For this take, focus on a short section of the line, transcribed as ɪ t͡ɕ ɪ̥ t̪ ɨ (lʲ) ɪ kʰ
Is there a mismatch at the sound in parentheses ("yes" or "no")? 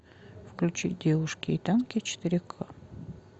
yes